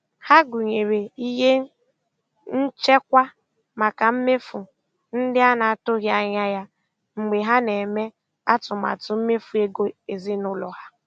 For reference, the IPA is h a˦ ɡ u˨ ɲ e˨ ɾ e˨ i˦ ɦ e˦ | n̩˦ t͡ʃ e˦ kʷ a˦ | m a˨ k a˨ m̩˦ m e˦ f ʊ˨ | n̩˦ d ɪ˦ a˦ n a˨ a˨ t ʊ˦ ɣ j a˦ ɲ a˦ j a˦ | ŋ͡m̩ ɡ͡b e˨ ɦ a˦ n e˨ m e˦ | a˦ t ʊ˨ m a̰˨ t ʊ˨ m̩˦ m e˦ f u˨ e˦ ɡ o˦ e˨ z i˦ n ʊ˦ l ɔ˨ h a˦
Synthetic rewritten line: h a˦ ɡ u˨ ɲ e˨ ɾ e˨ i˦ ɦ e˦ | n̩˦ t͡ʃ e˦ kʷ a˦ | m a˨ k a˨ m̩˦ m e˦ f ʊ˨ | n̩˦ d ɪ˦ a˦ n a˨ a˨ t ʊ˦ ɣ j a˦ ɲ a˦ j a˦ | ŋ͡m̩ ɡ͡b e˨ ɦ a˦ n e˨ m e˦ | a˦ t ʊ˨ m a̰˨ t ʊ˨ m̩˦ m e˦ f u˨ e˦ ɡ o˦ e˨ z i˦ n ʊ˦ l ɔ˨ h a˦